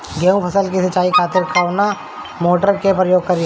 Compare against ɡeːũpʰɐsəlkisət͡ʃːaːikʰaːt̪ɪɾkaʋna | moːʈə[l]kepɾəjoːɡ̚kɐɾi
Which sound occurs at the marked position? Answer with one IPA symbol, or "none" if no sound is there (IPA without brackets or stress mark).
ɾ